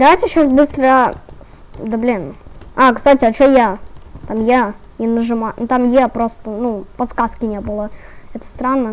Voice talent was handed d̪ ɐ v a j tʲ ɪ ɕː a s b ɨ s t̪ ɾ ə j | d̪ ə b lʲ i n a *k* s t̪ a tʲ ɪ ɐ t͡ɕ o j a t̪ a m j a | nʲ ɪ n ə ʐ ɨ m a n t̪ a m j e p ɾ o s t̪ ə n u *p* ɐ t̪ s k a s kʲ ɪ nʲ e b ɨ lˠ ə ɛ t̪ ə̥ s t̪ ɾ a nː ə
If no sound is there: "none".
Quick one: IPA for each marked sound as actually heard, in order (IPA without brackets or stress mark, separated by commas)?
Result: k, p